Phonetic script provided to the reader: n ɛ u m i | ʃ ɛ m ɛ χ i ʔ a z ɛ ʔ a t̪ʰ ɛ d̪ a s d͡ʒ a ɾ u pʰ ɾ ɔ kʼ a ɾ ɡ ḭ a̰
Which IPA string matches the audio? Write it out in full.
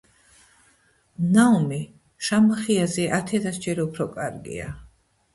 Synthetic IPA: n a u m i | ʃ a m a χ i a z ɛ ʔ a t̪ʰ ɛ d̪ a s d͡ʒ ɛ ɾ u pʰ ɾ ɔ kʼ a ɾ ɡ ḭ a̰